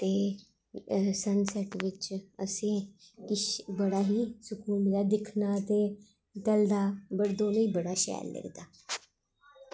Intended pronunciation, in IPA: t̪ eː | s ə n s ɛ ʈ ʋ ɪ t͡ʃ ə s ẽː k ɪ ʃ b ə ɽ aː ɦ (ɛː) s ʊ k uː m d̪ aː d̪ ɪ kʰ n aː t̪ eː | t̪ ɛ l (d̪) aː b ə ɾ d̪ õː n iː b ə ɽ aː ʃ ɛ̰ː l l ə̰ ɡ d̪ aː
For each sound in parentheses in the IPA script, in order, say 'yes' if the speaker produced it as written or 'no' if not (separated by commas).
no, yes